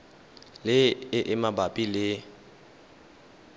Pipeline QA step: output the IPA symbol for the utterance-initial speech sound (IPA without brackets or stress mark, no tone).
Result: l